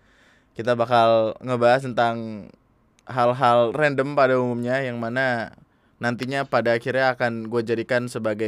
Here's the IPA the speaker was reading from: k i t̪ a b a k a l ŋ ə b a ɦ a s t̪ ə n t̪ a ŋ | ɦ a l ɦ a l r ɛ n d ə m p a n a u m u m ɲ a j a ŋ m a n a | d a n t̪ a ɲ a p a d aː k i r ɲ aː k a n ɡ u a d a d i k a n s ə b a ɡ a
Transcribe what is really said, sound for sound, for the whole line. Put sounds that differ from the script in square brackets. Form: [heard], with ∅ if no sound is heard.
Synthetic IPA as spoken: k i t̪ a b a k a l ŋ ə b a ɦ a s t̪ ə n t̪ a ŋ | ɦ a l ɦ a l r ɛ n d ə m p a [d] a u m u m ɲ a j a ŋ m a n a | [n] a n t̪ [i] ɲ a p a d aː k i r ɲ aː k a n ɡ u a [d͡ʒ] a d i k a n s ə b a ɡ a